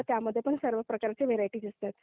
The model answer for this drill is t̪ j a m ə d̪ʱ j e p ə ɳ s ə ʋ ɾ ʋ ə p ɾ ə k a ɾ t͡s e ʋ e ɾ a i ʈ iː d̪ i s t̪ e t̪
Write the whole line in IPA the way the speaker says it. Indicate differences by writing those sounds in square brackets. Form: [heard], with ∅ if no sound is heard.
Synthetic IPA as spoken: t̪ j a m ə [d̪ʱː] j e p ə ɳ s ə [∅] ɾ ʋ ə p ɾ ə k a ɾ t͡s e ʋ e ɾ a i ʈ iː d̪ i s t̪ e t̪